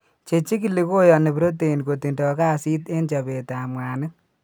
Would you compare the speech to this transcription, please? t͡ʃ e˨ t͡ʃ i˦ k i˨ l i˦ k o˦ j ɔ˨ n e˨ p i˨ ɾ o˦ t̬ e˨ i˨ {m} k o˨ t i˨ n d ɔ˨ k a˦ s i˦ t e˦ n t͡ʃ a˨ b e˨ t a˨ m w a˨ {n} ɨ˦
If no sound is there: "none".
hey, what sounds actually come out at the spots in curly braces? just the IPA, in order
n, n

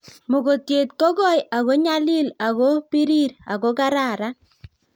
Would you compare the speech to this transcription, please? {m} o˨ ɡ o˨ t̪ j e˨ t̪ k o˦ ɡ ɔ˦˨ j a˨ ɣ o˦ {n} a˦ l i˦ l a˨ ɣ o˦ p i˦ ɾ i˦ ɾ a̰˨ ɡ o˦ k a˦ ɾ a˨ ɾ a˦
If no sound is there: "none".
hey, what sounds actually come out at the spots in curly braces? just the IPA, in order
m, ɲ

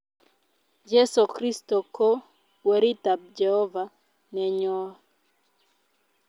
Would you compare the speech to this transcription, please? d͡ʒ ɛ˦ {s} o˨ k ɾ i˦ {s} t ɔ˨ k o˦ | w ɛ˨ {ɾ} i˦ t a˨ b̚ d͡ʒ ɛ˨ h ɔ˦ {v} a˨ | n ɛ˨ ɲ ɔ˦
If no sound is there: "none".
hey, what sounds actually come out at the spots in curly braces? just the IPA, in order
s, s, ɾ, v

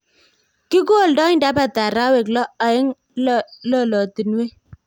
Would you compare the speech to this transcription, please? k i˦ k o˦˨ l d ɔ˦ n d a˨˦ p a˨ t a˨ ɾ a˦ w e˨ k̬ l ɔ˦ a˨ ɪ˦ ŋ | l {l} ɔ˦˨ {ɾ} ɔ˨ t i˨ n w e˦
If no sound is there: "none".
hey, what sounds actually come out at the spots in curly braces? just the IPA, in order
l, l

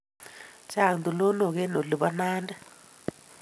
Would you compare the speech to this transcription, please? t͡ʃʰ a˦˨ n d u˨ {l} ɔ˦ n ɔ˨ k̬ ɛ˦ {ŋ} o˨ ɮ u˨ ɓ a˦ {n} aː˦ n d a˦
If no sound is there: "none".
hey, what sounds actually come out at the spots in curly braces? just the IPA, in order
l, n, n

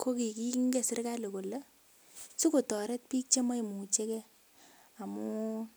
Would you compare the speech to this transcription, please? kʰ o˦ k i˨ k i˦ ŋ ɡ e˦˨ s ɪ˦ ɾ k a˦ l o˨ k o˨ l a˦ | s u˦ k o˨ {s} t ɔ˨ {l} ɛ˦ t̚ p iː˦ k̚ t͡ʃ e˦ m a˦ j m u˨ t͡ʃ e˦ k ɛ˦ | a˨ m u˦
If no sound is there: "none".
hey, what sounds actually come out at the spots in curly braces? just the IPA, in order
none, ɾ

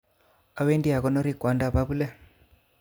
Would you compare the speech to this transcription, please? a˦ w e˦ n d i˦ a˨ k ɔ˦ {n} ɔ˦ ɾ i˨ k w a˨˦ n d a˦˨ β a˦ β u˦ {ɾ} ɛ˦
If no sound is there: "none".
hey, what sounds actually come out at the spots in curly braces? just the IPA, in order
n, l

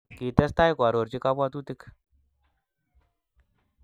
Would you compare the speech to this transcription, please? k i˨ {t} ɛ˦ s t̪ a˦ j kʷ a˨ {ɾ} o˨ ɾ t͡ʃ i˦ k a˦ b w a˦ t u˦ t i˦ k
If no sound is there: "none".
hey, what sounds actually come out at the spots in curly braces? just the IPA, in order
t, ɾ

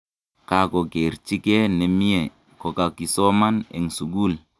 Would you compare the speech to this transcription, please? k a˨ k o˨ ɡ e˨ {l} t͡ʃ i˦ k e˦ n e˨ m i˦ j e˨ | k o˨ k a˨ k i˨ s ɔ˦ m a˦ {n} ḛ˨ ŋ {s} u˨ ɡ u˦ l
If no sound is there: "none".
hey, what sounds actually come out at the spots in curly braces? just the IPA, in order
ɾ, n, s

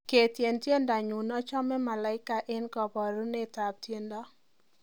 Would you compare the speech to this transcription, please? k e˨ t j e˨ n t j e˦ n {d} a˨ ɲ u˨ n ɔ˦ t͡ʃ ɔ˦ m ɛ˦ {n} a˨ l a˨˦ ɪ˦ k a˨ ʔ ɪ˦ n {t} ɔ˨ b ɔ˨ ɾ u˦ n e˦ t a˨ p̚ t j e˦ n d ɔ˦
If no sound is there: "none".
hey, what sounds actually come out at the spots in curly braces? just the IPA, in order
d, m, k

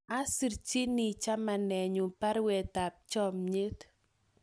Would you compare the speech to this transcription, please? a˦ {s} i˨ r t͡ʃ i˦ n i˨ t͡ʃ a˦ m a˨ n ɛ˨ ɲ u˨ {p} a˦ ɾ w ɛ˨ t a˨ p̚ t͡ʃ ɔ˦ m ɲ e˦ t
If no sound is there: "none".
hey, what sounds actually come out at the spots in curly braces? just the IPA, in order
s, p

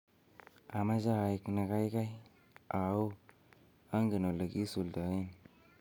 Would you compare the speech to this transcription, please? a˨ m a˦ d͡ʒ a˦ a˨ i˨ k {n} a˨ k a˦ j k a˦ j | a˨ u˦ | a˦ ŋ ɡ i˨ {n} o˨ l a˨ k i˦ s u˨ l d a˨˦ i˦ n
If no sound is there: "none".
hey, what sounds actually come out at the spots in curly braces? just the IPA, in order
n, n

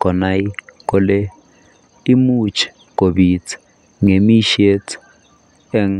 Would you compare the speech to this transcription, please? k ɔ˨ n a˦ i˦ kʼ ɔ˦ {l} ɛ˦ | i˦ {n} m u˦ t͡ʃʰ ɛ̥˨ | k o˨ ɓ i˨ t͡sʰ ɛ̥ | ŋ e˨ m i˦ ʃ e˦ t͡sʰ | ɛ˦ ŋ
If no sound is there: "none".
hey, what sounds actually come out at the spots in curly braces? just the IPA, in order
l, none

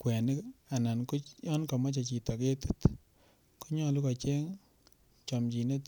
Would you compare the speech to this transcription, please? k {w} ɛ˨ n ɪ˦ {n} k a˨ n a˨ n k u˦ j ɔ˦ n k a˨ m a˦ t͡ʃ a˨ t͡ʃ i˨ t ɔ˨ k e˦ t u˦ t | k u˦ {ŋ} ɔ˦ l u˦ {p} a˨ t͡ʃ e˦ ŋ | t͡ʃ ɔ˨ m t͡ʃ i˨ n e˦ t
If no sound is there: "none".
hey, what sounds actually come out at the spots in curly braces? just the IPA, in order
w, none, ɲ, k

